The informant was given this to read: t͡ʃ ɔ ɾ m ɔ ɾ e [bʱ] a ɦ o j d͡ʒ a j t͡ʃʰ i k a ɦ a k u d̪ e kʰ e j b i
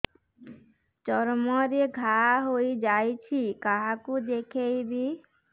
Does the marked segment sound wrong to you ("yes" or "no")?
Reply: yes